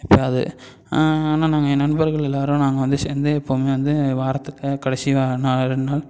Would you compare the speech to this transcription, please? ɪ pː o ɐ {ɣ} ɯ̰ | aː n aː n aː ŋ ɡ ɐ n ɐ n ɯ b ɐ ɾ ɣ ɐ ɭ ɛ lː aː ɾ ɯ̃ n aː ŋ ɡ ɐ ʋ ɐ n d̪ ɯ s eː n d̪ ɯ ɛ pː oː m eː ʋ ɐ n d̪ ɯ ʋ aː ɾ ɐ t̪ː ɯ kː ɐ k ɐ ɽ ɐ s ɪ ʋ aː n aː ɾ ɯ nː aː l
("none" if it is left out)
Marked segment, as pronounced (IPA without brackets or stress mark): ð